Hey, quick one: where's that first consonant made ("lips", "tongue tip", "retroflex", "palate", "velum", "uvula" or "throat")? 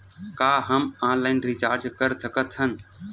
velum